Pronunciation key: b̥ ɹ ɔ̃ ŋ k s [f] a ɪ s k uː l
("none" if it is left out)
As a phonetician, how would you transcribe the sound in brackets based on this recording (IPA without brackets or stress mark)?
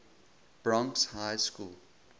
h